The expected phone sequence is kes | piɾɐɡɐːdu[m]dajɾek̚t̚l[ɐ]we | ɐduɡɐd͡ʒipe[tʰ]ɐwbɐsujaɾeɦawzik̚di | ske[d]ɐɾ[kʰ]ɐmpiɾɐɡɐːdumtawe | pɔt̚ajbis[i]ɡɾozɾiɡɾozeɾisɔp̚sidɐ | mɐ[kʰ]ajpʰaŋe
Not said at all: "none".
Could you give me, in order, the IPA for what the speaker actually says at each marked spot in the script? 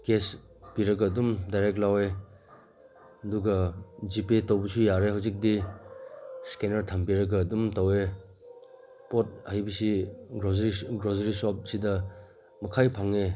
m, a, t, n, tʰ, i, kʰ

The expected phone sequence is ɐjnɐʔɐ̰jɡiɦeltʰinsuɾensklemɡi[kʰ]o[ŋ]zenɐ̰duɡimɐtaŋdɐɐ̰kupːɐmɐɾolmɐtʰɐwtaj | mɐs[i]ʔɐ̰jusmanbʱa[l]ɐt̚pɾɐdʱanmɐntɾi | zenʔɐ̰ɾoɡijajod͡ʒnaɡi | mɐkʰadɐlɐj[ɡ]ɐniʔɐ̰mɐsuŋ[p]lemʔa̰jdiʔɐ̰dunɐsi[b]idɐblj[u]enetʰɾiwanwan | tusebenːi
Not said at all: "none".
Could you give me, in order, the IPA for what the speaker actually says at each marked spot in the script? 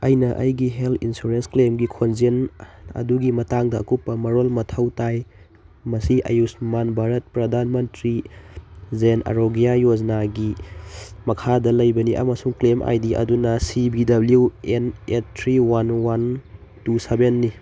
kʰ, n, i, ɾ, b, k, b, u

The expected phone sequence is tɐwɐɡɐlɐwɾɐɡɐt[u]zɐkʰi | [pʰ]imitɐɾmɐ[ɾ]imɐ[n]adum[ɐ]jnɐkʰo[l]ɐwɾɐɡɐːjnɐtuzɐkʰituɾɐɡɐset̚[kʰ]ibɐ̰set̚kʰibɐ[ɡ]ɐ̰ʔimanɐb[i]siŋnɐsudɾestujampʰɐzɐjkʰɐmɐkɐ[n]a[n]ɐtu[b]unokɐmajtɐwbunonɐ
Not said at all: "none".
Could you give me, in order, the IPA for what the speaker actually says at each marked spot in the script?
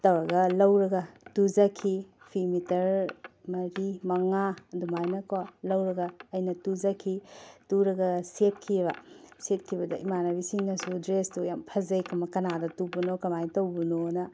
u, pʰ, ɾ, ŋ, a, l, kʰ, d, i, n, d, b

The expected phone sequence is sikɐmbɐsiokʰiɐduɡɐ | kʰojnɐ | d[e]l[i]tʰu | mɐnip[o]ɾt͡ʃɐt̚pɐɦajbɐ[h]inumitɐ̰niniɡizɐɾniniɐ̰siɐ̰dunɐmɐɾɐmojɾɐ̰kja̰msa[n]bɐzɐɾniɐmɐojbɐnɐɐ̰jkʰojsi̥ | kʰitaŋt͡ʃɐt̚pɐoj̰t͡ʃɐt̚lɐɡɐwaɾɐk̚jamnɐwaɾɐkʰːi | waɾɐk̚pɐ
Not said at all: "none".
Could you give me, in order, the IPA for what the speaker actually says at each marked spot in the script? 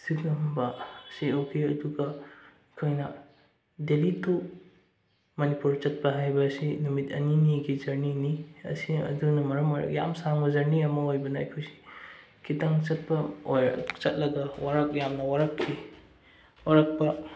e, i, u, s, ŋ

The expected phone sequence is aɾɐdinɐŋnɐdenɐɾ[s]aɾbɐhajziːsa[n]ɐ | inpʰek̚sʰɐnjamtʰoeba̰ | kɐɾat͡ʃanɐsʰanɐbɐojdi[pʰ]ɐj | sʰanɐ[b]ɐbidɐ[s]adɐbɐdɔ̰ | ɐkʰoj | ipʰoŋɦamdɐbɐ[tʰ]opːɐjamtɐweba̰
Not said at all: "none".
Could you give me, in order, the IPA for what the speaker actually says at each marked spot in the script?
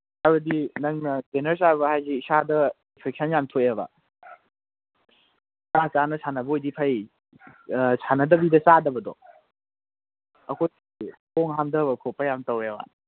s, d, pʰ, d, s, kʰ

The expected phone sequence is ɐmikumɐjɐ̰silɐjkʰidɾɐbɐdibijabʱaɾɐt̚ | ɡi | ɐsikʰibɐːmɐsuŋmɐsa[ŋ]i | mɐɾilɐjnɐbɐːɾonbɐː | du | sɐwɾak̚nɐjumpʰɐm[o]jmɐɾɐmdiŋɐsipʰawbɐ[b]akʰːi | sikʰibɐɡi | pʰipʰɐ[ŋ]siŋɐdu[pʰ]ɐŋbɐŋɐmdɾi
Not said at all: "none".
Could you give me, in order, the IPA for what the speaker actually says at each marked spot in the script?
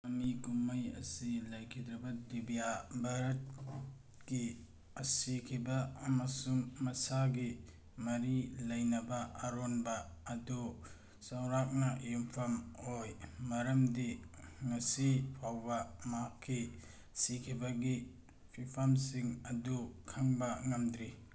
ɡ, o, m, m, kʰ

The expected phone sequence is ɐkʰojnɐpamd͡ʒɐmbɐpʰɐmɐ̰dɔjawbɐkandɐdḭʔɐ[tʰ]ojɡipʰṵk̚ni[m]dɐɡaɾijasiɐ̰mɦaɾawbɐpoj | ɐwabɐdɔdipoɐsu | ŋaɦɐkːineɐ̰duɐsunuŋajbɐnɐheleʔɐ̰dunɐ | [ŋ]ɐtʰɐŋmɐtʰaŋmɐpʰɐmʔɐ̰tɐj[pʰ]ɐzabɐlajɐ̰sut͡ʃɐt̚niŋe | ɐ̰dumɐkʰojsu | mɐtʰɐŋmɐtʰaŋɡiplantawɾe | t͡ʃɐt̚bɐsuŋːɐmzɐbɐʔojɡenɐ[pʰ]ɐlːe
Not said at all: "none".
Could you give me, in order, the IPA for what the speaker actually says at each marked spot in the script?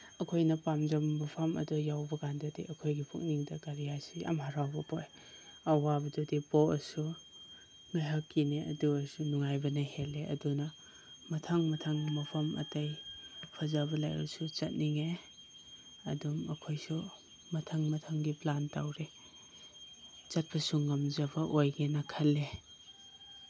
kʰ, ŋ, m, pʰ, kʰ

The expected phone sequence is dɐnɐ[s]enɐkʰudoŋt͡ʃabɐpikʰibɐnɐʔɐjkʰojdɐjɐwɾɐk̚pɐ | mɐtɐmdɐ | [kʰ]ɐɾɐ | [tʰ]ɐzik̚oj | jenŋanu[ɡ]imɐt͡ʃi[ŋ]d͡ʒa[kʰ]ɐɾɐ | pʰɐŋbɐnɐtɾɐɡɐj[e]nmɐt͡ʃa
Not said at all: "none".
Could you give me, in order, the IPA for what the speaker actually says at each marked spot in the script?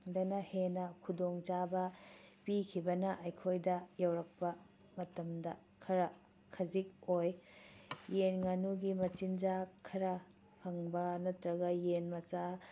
h, kʰ, kʰ, ɡ, n, kʰ, e

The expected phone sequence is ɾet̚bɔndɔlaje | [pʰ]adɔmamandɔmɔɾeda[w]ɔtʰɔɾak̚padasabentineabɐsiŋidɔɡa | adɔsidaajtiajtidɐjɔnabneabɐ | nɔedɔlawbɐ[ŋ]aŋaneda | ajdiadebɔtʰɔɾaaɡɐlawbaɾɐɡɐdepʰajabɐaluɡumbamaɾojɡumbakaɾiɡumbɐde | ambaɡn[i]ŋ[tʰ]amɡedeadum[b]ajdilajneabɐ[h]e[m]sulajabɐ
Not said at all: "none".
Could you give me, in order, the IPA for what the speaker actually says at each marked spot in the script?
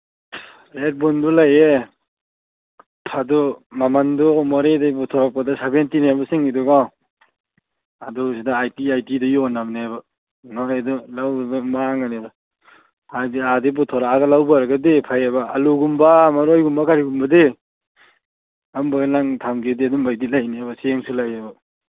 pʰ, b, m, a, tʰ, b, s, ŋ

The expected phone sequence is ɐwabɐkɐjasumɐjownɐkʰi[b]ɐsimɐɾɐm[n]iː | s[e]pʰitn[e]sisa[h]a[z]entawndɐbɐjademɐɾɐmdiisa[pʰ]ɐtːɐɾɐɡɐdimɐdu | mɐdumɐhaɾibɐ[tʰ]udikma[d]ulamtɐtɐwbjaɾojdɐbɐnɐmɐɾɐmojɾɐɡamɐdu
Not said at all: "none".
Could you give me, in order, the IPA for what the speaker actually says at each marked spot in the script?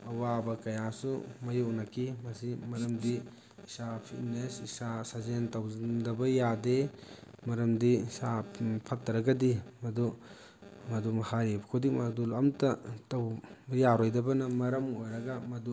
m, d, a, e, s, z, pʰ, kʰ, d

